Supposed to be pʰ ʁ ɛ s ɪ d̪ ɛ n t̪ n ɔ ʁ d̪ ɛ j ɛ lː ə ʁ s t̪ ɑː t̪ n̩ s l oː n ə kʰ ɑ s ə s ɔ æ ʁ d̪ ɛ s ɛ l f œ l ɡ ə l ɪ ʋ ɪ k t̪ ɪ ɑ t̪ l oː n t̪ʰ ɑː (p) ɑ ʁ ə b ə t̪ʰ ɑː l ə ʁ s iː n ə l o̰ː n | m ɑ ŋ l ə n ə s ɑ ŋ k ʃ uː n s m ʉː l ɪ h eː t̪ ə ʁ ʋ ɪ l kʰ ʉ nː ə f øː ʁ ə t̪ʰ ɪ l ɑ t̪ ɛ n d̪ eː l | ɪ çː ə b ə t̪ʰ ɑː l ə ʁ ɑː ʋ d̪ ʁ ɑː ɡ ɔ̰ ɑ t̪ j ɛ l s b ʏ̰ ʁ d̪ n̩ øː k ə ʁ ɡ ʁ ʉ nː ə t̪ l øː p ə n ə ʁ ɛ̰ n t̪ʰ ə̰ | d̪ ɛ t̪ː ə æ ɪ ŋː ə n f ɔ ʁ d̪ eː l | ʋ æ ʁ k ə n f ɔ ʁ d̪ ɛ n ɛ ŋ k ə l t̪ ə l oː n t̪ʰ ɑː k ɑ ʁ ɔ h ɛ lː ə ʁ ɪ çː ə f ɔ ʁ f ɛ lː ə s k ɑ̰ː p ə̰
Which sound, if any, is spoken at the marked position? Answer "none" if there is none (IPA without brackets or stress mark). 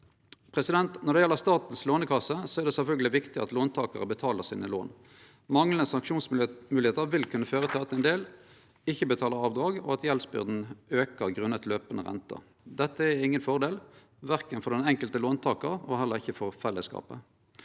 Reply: k